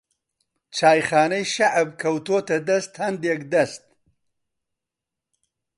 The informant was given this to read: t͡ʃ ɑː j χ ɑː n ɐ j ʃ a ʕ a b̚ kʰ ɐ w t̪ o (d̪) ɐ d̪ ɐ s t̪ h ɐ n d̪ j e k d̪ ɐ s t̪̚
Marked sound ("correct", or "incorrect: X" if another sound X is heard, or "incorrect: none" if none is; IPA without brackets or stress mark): incorrect: t̪